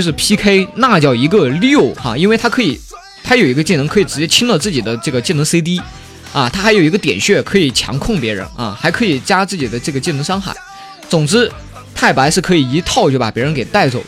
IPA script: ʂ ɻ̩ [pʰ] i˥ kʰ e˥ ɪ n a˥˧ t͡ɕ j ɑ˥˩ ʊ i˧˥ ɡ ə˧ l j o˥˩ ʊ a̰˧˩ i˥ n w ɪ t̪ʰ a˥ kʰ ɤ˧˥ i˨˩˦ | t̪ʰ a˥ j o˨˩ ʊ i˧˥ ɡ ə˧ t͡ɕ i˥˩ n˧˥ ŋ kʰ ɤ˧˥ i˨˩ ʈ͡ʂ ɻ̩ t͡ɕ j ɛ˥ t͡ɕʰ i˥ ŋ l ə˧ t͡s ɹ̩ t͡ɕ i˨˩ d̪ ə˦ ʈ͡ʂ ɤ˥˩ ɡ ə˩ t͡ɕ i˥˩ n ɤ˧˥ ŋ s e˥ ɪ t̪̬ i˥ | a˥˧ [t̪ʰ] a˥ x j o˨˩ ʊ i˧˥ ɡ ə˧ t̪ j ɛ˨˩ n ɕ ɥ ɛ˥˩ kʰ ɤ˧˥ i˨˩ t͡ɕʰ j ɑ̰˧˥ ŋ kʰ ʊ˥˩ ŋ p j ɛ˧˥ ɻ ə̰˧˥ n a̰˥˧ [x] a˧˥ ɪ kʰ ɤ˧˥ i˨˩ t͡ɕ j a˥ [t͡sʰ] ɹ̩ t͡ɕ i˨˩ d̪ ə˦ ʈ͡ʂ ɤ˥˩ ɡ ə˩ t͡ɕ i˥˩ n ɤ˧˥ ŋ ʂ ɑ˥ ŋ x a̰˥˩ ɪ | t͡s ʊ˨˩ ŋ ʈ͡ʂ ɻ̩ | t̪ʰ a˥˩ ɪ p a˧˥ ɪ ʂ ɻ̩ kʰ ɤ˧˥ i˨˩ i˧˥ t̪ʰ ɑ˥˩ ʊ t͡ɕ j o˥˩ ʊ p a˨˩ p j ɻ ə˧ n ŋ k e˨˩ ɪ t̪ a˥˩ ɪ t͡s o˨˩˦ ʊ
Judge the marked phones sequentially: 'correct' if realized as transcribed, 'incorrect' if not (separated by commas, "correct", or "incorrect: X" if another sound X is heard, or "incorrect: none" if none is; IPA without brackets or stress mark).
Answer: correct, correct, correct, incorrect: t͡s